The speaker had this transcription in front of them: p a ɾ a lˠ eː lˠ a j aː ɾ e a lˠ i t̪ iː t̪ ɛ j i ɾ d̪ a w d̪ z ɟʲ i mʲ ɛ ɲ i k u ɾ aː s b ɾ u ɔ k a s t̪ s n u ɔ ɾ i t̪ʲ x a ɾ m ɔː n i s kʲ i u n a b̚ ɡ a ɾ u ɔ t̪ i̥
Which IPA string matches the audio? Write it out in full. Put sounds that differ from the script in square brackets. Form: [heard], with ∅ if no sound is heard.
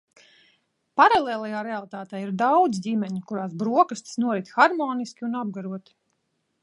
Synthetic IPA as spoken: p a ɾ a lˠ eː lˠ a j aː ɾ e a lˠ i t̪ [aː] t̪ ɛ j i ɾ d̪ a w d̪ z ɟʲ i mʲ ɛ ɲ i k u ɾ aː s b ɾ u ɔ k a s t̪ s n u ɔ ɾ i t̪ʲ x a ɾ m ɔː n i s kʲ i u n a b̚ ɡ a ɾ u ɔ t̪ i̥

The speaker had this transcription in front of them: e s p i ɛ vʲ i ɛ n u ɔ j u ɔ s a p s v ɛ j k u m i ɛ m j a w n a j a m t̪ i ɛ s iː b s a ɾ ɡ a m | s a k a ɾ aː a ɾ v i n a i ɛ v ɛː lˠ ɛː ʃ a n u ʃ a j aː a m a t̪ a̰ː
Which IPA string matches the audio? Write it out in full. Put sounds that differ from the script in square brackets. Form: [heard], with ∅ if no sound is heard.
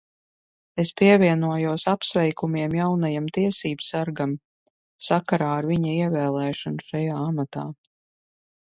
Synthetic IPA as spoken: e s p i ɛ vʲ i ɛ n u ɔ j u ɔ s a p s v ɛ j k u m i ɛ m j a w n a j a m t̪ i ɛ s iː b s a ɾ ɡ a m | s a k a ɾ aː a ɾ v i [ɲ] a i ɛ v ɛː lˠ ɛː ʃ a n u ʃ a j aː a m a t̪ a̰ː

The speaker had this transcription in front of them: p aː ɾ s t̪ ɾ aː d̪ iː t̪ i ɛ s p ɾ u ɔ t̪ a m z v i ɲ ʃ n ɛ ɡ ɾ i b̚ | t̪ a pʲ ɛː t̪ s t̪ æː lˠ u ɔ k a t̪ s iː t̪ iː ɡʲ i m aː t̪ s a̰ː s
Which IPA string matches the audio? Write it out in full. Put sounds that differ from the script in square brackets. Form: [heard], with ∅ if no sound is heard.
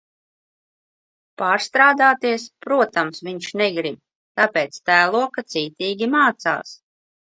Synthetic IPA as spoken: p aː ɾ s t̪ ɾ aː d̪ [aː] t̪ i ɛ s p ɾ u ɔ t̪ a m [s] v i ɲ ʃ n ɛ ɡ ɾ i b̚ | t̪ a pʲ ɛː t̪ s t̪ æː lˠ u ɔ k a t̪ s iː t̪ iː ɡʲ i m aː t̪ s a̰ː s

